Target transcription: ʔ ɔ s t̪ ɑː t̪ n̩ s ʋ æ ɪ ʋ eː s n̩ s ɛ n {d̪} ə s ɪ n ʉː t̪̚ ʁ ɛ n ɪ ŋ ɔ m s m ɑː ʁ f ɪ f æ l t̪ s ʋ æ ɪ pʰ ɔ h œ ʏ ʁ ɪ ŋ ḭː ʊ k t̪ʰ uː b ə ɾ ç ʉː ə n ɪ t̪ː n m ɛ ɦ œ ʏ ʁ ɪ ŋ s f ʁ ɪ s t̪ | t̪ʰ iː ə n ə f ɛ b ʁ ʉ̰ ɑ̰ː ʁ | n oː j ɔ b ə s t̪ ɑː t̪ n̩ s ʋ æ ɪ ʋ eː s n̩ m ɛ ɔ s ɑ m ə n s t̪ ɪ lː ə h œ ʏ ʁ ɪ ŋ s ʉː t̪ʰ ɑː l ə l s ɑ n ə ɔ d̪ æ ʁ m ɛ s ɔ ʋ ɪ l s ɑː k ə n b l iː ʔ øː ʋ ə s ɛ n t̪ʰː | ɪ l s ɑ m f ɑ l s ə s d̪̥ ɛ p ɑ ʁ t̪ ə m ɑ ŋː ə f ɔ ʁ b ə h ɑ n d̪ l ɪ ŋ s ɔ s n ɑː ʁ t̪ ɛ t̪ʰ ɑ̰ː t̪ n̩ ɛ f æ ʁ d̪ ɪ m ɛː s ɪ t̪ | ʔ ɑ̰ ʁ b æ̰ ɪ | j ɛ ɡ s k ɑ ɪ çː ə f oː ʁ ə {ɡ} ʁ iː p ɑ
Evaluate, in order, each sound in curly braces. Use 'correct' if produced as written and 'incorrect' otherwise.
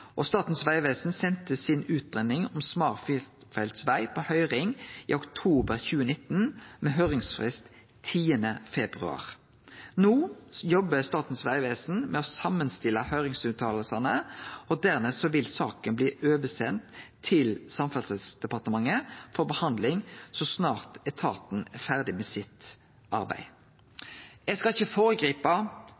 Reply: incorrect, correct

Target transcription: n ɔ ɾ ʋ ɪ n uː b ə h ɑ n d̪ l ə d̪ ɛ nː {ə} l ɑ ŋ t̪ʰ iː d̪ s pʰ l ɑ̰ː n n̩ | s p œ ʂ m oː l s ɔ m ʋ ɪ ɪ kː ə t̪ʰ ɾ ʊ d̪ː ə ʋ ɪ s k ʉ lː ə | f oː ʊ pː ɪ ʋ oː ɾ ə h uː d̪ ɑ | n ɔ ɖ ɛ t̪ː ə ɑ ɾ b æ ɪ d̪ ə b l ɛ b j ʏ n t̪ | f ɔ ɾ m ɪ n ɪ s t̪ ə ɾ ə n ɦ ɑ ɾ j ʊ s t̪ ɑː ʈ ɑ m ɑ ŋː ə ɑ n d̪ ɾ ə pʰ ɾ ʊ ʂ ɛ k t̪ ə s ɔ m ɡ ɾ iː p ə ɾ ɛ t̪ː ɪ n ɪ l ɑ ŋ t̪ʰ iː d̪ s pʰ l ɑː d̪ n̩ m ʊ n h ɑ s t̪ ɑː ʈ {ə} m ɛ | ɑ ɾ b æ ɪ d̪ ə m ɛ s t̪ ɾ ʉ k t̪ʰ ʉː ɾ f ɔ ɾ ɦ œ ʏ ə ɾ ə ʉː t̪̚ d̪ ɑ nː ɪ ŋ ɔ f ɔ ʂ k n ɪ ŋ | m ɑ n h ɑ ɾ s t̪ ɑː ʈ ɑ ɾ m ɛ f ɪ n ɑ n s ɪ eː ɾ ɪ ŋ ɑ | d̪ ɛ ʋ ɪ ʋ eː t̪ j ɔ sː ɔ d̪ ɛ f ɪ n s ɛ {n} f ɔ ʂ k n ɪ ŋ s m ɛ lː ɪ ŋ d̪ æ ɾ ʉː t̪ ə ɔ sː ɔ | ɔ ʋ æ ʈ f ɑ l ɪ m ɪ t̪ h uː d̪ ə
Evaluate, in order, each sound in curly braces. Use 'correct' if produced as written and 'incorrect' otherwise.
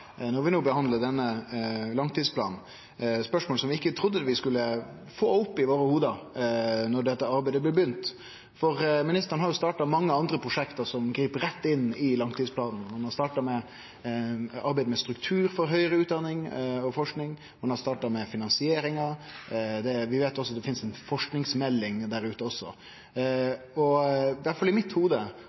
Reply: correct, incorrect, correct

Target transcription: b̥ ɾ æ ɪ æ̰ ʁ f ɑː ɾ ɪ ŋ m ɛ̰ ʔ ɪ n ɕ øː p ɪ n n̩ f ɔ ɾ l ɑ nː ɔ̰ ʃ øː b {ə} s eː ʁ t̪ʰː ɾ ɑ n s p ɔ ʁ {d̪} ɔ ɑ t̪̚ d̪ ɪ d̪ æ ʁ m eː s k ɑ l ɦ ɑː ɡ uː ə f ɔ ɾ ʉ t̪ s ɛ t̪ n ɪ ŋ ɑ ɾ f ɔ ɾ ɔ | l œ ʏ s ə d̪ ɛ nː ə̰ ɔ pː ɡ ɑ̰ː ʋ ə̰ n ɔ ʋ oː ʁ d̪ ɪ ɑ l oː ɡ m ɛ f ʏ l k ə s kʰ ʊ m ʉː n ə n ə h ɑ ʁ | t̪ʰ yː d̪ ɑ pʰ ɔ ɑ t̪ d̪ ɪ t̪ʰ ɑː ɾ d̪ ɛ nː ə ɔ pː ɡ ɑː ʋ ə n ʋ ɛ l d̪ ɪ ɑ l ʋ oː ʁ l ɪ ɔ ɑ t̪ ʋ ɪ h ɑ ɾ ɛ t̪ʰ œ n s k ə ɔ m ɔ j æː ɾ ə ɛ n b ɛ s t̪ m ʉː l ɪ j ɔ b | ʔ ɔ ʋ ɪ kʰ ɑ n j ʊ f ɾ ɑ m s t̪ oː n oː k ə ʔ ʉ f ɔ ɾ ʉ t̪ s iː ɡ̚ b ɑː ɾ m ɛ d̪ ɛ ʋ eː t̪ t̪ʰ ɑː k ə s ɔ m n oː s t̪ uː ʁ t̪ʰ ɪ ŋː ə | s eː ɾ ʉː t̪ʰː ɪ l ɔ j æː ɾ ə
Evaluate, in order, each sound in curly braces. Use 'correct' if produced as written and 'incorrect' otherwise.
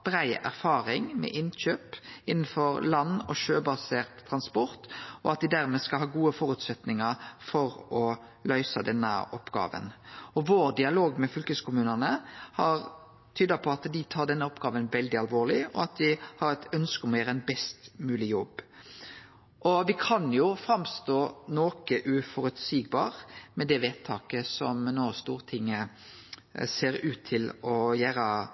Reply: incorrect, incorrect

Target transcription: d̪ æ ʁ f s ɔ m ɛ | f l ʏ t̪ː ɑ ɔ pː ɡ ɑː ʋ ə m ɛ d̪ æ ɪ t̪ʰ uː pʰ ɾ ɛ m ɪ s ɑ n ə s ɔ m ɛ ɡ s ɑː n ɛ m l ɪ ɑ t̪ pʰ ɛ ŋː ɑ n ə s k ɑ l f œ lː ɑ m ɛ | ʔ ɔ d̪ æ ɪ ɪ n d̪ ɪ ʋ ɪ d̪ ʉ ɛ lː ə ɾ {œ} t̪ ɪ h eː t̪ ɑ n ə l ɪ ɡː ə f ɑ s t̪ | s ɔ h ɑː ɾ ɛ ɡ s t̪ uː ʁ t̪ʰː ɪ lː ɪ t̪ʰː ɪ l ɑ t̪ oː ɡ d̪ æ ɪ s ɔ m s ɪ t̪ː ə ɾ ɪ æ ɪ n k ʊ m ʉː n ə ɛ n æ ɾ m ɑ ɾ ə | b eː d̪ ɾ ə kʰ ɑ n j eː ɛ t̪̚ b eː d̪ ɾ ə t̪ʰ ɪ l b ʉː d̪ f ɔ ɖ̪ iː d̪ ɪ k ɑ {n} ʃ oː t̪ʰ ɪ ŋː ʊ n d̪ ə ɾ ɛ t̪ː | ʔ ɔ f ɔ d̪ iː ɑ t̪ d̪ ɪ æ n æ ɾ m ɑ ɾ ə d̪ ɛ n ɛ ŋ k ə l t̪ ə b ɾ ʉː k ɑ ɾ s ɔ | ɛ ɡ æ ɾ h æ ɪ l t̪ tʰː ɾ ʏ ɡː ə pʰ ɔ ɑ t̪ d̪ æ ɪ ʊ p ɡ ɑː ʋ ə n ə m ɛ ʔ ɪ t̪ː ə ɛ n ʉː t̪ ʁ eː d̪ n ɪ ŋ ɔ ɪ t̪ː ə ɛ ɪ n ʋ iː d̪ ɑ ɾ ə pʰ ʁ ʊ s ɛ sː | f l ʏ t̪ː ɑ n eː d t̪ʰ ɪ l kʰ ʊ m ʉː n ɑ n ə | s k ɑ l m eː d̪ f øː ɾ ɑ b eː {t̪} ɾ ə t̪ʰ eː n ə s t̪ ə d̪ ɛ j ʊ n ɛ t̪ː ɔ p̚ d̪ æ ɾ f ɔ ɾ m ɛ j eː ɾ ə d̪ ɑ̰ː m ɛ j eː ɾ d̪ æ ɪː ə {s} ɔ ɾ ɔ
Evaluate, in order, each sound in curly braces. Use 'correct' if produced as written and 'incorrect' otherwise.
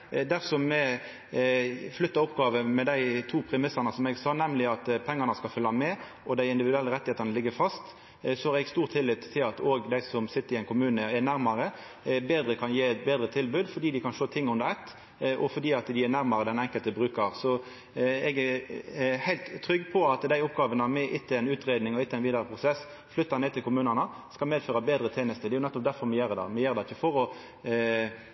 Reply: incorrect, correct, incorrect, incorrect

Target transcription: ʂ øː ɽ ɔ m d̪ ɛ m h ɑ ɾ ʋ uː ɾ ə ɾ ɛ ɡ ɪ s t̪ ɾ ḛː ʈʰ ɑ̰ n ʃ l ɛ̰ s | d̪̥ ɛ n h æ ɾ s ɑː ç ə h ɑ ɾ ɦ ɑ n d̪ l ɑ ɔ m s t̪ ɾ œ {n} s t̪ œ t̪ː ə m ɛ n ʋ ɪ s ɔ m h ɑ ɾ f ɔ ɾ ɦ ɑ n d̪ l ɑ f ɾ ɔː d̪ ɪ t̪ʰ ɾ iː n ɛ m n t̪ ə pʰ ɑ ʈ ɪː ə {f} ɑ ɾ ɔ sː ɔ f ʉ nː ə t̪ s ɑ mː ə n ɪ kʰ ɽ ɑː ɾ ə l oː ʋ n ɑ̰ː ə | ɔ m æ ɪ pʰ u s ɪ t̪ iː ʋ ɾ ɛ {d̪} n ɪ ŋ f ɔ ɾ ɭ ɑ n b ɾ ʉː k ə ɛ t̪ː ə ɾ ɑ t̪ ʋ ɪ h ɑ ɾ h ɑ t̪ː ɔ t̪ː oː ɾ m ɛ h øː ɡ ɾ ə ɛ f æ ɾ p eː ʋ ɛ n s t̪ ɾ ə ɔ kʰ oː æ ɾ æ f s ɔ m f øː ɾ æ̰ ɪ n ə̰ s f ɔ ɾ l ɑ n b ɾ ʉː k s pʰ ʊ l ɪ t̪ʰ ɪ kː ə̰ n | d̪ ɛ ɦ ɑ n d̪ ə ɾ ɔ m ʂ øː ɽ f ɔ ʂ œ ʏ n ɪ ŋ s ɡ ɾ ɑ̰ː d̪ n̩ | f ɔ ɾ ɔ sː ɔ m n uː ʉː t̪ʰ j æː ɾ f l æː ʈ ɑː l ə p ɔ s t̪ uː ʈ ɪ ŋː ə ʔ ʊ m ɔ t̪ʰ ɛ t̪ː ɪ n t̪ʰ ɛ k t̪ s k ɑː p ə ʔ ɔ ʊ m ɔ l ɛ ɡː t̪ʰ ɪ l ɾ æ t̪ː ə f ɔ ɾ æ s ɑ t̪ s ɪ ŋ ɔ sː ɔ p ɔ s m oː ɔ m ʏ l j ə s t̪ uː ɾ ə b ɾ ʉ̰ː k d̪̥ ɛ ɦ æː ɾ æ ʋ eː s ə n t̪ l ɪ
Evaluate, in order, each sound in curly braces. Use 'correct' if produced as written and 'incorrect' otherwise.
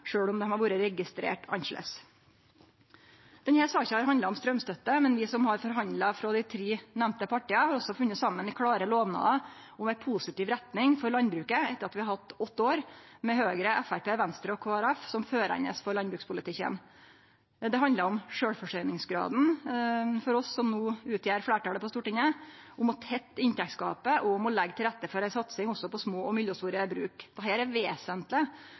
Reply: incorrect, incorrect, incorrect

